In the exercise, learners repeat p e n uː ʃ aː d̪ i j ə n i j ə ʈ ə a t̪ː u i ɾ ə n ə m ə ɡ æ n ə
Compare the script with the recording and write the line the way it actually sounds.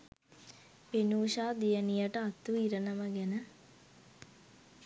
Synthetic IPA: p e n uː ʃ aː d̪ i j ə n i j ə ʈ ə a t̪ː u i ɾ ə n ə m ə ɡ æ n ə